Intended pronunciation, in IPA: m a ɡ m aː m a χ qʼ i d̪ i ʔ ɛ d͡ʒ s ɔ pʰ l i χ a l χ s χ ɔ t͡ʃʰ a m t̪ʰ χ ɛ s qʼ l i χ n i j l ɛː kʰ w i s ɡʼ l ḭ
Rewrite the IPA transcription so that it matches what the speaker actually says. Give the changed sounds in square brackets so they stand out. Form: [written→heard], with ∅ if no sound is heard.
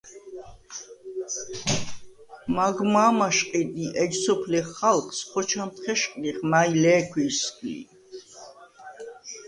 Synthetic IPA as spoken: m a ɡ m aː m a [χ→ʃ] qʼ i d̪ i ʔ ɛ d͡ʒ s ɔ pʰ l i χ a l χ s χ ɔ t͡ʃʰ a m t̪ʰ χ ɛ [s→ʃ] qʼ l i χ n [i→a] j l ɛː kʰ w i s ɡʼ l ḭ